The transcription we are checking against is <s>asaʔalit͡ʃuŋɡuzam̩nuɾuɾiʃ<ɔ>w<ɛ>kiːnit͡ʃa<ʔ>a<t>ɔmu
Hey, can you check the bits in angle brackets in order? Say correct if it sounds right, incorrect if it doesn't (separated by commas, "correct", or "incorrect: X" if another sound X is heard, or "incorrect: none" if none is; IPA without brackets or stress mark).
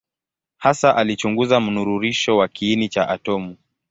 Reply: incorrect: h, correct, incorrect: a, correct, correct